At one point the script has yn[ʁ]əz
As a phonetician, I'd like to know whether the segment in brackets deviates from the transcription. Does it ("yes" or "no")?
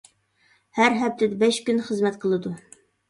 yes